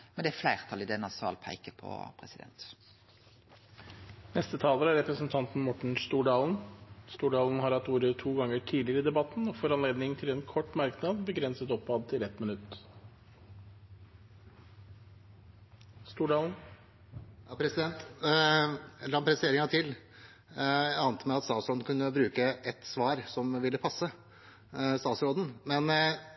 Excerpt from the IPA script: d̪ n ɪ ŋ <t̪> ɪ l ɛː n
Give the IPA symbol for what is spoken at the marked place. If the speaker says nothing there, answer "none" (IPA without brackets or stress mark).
t̪ʰ